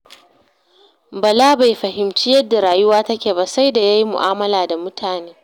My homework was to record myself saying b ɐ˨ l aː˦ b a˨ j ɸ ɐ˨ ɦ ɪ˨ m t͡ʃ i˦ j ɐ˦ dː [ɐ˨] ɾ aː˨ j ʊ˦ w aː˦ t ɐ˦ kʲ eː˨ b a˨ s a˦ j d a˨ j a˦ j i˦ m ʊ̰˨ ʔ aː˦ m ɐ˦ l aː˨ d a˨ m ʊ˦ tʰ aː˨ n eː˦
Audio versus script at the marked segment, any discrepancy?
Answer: yes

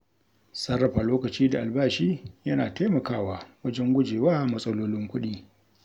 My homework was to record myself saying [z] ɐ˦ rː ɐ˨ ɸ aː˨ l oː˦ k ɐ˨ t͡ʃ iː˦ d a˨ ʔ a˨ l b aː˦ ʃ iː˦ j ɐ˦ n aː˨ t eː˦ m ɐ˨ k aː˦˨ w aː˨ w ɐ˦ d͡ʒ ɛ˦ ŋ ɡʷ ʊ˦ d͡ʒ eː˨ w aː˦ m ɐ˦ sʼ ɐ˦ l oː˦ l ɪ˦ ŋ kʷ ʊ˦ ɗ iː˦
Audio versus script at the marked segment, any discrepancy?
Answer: yes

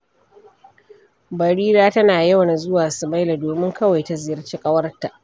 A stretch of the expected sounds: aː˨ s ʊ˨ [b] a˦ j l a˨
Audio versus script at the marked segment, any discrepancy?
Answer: yes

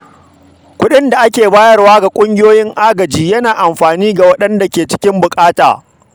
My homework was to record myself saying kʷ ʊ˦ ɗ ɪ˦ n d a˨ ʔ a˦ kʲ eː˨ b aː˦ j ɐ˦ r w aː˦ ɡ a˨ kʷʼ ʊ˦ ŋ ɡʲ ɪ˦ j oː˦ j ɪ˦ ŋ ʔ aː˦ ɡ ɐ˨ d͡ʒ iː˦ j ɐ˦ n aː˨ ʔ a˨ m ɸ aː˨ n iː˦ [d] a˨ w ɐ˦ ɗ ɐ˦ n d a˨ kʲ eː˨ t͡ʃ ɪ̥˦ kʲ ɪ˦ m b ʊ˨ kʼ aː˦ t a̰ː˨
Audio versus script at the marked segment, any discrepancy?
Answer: yes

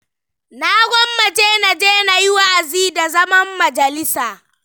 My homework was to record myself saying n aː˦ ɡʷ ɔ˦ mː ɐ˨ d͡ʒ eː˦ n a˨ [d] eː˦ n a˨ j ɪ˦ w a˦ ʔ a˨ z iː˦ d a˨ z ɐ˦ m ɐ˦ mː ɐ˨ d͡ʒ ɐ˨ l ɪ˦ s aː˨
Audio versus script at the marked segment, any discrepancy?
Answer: yes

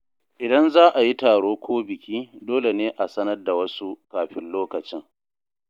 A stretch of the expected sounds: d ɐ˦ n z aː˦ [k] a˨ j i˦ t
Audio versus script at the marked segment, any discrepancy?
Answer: yes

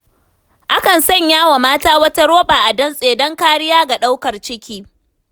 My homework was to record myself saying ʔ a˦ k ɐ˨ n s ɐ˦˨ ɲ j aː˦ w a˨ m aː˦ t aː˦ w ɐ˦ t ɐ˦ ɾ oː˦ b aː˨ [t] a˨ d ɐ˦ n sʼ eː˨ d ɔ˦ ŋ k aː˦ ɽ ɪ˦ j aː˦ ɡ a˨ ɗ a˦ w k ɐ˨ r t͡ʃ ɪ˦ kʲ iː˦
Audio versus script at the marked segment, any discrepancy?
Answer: yes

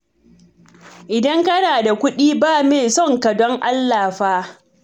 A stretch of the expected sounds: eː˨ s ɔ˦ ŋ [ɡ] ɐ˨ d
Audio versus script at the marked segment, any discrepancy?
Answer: yes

